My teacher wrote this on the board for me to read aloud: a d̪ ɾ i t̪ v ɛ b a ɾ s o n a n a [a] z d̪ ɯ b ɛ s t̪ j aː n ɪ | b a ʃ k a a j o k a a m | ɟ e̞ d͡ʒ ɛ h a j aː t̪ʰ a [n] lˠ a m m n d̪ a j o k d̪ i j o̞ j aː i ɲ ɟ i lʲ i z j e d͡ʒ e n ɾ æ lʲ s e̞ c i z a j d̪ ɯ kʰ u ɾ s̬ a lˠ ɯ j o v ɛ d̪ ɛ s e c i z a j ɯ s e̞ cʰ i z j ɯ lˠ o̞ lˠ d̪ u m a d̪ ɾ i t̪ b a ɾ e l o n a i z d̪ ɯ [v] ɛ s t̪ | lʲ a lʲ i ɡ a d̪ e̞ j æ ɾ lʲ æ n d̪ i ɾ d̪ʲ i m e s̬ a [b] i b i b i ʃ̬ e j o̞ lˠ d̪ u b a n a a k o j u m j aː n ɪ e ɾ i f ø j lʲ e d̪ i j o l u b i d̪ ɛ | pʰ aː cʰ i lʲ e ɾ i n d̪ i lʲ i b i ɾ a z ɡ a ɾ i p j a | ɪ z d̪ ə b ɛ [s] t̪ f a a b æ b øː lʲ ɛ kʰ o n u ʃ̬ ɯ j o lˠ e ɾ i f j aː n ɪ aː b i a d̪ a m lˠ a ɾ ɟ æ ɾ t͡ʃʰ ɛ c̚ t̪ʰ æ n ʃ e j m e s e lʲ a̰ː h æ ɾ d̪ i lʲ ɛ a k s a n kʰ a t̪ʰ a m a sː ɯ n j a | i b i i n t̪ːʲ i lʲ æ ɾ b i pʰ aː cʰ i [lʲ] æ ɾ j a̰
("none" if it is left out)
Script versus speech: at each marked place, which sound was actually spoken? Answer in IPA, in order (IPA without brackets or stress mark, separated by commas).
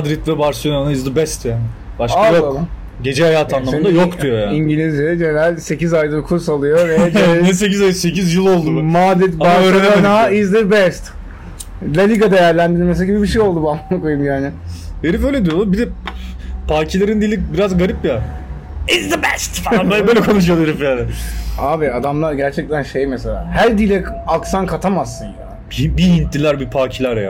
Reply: i, n, b, ɟ, s, lʲ